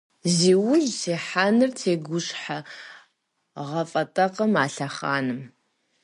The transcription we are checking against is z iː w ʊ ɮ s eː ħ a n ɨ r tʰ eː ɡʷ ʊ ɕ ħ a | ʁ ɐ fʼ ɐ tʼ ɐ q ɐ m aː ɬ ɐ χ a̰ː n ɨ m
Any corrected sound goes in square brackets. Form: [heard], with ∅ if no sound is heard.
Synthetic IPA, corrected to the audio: z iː w ʊ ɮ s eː ħ a n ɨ r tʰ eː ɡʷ ʊ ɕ ħ a | ʁ ɐ fʼ ɐ tʼ ɐ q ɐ m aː ɬ ɐ χ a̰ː n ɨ m